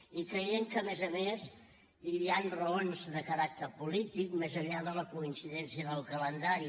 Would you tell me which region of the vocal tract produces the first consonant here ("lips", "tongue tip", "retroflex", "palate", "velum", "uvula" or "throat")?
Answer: velum